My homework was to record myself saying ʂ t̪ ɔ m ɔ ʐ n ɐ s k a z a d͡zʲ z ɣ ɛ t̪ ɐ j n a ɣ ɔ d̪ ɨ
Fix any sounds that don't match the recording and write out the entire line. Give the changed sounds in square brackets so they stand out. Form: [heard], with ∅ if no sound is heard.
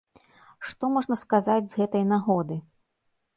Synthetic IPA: ʂ t̪ ɔ m ɔ ʐ n ɐ s k a z a d͡zʲ z ɣ ɛ t̪ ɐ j n a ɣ ɔ d̪ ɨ